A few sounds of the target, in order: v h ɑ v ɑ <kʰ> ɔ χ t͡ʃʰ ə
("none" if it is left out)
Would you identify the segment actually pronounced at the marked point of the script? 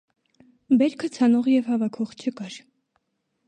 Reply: kʰ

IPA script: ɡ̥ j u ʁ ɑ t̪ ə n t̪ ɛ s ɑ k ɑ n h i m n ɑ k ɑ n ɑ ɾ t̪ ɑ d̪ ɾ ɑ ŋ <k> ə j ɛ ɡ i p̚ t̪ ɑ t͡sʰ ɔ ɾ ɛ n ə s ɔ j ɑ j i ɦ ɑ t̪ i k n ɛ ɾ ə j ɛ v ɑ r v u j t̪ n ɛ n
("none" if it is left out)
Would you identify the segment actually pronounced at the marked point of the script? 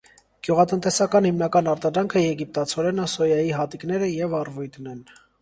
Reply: kʰ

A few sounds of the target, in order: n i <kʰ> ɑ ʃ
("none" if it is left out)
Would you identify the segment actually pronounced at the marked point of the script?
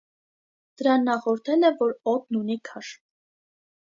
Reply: kʰ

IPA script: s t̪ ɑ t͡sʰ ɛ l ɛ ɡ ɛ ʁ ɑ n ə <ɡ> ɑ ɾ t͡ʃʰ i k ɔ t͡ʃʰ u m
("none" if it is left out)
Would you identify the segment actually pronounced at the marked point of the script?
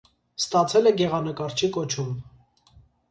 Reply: k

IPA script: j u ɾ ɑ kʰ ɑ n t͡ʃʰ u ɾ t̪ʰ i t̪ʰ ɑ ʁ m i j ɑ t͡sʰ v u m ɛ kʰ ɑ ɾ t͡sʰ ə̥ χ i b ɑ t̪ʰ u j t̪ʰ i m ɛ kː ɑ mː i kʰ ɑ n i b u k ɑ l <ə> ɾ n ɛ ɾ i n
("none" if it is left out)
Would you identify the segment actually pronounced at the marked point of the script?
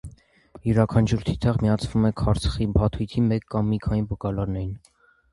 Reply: ɑ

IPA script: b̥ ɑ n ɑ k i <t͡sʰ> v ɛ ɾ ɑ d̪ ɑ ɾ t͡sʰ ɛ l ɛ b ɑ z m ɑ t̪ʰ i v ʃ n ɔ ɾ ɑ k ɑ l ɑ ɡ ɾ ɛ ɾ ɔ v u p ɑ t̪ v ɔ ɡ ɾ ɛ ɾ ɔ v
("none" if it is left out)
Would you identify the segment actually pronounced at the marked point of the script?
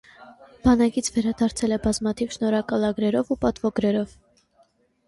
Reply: t͡sʰ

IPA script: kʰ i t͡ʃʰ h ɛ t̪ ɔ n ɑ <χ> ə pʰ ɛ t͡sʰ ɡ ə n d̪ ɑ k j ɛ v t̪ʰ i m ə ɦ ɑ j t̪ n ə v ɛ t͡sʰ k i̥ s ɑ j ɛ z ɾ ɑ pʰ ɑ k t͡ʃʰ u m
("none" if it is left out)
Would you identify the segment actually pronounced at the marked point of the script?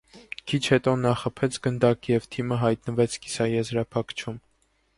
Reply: χ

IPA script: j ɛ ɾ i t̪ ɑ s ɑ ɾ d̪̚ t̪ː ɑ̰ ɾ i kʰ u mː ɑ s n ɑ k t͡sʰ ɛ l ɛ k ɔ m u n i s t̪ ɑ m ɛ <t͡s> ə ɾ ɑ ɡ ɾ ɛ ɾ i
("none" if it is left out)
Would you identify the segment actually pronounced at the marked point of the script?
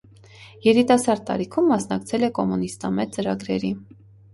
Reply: t͡s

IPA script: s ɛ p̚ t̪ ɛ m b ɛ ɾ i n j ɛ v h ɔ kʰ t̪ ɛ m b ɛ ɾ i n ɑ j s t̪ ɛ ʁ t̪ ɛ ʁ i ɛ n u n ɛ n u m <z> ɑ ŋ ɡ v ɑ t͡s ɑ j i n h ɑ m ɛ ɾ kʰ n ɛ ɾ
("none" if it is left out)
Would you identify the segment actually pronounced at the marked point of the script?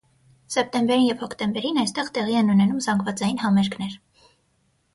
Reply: z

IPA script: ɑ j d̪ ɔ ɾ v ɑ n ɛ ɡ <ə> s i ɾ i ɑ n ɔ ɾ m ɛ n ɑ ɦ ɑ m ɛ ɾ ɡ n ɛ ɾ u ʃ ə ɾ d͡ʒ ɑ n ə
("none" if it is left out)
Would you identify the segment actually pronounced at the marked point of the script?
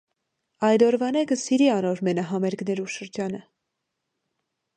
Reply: ə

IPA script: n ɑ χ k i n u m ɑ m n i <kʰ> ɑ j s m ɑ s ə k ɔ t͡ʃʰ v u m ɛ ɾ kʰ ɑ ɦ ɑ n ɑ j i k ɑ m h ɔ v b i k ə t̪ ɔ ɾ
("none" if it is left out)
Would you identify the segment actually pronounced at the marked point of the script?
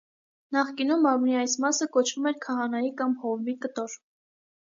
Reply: none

